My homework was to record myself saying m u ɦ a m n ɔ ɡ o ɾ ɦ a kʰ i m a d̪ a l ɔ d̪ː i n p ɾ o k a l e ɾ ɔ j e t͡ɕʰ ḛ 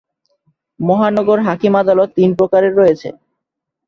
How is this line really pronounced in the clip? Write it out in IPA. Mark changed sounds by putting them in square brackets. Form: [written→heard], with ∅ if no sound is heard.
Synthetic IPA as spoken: m [u→ɔ] ɦ a [m→∅] n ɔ ɡ o ɾ ɦ a [kʰ→k] i m a d̪ a l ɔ [d̪ː→t̪ː] i n p ɾ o k a [l→ɾ] e [ɾ→ɾː] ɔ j e t͡ɕʰ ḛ